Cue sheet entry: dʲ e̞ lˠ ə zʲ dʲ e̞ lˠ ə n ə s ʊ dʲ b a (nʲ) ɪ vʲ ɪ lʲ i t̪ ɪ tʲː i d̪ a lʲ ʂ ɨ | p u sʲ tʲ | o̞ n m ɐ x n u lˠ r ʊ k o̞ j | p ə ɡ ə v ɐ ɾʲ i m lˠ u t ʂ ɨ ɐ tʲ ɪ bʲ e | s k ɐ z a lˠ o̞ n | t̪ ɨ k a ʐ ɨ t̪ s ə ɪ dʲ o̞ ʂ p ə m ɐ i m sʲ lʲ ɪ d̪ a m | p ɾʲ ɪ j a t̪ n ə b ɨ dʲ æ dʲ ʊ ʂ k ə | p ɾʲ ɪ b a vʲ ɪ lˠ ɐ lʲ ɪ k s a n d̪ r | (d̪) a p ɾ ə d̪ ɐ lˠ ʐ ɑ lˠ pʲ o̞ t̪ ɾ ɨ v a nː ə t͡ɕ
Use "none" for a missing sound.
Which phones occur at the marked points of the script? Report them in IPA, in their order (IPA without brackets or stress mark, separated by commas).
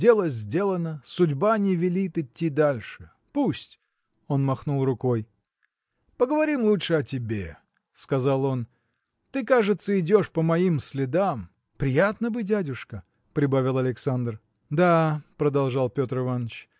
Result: nʲ, d̪